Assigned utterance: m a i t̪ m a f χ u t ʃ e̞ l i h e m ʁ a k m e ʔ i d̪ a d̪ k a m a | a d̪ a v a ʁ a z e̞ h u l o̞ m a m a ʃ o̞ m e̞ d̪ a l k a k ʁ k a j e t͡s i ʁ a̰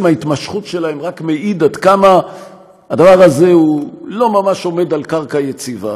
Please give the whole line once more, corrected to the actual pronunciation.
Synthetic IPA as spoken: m a i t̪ m a ʃ χ u t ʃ e̞ l a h e m ʁ a k m e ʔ i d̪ a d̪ k a m a | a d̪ a v a ʁ a z e̞ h u l o̞ m a m a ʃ o̞ m e̞ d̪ a l k a ʁ k a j e t͡s i v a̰